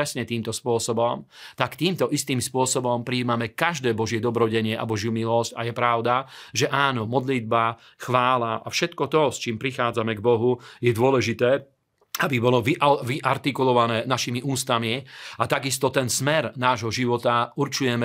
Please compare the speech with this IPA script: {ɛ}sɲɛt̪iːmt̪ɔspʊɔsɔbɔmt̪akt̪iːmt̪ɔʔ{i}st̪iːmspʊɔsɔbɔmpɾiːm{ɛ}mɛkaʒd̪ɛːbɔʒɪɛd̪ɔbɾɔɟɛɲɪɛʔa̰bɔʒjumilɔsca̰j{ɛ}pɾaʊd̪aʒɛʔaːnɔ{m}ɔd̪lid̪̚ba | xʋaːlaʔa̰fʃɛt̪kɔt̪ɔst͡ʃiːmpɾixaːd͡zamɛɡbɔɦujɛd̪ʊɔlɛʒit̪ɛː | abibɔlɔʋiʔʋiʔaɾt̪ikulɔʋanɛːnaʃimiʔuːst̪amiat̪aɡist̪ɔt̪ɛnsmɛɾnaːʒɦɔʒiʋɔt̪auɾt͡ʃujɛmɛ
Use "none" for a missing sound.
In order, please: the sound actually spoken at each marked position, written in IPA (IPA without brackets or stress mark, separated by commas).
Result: ɛ, i, a, ɛ, m